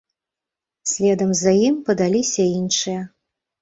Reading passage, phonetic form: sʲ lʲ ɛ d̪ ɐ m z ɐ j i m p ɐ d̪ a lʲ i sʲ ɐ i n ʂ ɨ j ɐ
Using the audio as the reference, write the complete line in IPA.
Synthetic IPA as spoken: sʲ lʲ ɛ d̪ ɐ m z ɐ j i m p ɐ d̪ a lʲ i sʲ ɐ i n ʂ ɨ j ɐ